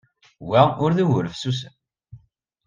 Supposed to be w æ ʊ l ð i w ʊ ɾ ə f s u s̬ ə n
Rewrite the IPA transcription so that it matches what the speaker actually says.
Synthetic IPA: w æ ʊ ɾ ð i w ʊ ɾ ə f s u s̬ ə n